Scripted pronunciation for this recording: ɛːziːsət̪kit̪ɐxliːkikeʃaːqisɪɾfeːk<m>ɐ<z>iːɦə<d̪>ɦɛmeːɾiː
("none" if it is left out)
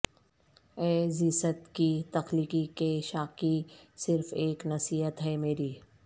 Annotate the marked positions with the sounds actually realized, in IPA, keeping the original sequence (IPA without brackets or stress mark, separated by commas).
n, s, t̪